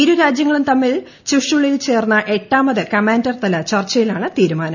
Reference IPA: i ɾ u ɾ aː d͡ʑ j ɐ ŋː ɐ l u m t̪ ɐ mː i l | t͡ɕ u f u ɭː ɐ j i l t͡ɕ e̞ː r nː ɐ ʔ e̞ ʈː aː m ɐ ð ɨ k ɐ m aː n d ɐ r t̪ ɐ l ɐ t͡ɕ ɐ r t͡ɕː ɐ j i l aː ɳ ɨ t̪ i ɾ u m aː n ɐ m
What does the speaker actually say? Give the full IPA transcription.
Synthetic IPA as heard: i ɾ u ɾ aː d͡ʑ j ɐ ŋː ɐ ɭ u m t̪ ɐ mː i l | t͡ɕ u ʂ u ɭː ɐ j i l t͡ɕ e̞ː r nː ɐ ʔ e̞ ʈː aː m ɐ ð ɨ k ɐ m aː n d ɐ r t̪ ɐ l ɐ t͡ɕ ɐ r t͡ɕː ɐ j i l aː ɳ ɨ t̪ iː ɾ u m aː n ɐ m